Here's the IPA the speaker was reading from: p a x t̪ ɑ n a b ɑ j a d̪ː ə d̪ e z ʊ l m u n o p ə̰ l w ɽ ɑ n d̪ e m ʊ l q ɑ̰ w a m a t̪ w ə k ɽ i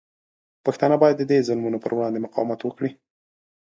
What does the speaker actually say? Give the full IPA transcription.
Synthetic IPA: p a x t̪ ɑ n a b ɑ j a d̪ː ə d̪ e z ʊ l m u n o p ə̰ ɾ w ɽ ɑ n d̪ e m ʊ q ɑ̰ w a m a t̪ w ə k ɽ i

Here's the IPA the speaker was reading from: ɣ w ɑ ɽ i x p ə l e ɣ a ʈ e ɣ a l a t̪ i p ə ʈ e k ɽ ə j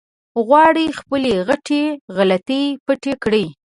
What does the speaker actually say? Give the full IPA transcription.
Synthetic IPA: ɣ w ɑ ɽ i x p ə l e ɣ a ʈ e ɣ a l a t̪ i p ə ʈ e k ɽ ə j

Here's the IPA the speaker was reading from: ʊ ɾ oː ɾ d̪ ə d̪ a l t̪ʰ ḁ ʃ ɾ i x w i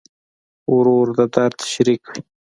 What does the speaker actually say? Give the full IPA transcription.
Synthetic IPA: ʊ ɾ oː ɾ d̪ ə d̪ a ɾ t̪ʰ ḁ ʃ ɾ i k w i

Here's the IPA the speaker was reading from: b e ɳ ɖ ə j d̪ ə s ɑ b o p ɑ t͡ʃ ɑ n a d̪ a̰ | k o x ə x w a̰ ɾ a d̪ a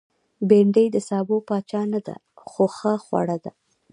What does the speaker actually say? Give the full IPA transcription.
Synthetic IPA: b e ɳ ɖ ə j d̪ ə s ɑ b o p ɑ t͡ʃ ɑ n a d̪ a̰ | x o x ə x w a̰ ɽ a d̪ a

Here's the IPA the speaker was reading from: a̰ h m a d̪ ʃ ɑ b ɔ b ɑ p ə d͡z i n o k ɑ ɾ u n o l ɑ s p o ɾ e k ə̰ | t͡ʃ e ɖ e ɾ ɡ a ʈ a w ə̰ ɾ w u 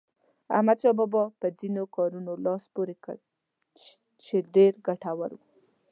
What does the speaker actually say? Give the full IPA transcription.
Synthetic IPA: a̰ h m a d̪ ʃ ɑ b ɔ b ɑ p ə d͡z i n o k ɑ ɾ u n o l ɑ s p o ɾ e k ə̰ | t͡ʃ e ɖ e ɾ ɡ a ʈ a w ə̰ ɾ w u

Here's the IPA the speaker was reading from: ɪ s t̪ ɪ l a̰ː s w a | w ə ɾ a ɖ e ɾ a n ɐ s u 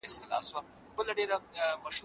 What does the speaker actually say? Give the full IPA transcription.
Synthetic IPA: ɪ s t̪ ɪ l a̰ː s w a | b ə l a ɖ e ɾ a m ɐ ʃ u

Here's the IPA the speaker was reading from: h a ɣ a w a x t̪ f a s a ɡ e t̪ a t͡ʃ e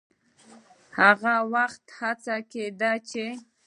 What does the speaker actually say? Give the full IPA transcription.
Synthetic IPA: h a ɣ a w a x t̪ h a t͡s a k e d̪ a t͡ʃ e

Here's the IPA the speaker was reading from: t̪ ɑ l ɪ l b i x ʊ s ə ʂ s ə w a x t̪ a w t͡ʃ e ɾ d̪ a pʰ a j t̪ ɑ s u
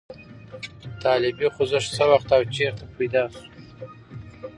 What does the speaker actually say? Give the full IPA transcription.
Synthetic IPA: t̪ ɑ l ɪ b i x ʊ z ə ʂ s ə w a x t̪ a w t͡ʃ e ɾ t̪ a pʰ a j d̪ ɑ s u

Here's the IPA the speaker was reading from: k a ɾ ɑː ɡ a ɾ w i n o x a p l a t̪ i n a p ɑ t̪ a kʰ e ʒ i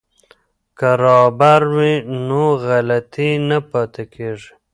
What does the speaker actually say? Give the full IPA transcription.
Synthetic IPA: k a ɾ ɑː b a ɾ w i n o ɣ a l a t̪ i n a p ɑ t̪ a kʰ e ʐ i

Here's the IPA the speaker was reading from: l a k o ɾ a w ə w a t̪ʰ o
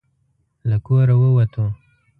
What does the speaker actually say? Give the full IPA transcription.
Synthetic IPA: l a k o ɾ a w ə w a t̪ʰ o

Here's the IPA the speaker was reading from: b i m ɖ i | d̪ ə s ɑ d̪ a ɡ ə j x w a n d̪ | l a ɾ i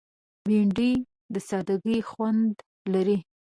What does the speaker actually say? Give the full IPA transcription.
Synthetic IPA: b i ɳ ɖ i | d̪ ə s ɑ d̪ a ɡ ə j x w a n d̪ | l a ɾ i

